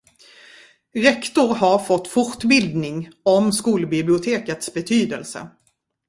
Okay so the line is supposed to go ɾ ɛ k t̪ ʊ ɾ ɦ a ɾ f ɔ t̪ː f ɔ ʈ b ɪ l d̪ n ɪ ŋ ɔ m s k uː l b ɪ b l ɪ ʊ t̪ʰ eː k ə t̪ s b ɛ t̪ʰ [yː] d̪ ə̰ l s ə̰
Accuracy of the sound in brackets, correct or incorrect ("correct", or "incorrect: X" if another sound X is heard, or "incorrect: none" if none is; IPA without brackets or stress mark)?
correct